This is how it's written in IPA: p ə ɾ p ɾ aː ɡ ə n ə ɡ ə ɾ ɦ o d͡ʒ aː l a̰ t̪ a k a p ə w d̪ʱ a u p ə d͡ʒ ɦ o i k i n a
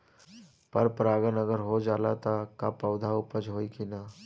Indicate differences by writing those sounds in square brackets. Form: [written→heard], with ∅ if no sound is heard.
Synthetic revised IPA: p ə ɾ p ɾ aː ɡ ə n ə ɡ ə ɾ ɦ o d͡ʒ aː l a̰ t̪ a k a p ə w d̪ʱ a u p ə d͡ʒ ɦ o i k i n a